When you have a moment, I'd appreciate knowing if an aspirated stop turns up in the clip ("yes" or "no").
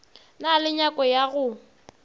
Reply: no